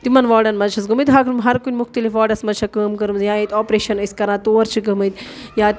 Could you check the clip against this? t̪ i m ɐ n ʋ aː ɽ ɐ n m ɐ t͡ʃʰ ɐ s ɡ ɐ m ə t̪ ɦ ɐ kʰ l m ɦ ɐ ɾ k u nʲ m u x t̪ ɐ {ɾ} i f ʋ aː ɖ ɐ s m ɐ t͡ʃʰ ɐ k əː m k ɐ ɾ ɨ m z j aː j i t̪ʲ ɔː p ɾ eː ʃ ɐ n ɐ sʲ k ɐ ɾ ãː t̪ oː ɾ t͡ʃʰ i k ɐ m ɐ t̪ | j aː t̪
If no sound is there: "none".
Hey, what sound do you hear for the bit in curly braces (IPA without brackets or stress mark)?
l